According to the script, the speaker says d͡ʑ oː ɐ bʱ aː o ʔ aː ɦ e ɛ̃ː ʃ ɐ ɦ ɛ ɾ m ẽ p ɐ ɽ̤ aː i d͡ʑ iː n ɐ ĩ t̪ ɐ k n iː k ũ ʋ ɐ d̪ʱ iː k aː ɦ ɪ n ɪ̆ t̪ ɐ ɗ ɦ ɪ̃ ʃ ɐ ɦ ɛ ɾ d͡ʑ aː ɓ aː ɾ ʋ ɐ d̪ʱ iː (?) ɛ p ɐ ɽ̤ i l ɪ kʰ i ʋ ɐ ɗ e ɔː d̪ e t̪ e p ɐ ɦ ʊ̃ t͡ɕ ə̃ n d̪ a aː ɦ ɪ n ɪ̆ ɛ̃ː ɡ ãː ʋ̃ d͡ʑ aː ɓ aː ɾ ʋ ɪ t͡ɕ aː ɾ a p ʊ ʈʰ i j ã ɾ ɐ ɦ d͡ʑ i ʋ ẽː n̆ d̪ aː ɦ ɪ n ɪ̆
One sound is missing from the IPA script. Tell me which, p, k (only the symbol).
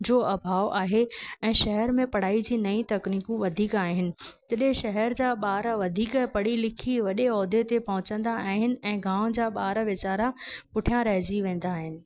k